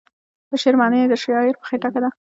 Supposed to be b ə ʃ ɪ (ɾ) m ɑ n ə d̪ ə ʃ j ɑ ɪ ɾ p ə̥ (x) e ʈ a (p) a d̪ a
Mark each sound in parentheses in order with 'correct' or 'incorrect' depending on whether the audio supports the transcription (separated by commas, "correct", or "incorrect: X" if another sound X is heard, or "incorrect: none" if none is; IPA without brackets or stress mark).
correct, correct, incorrect: k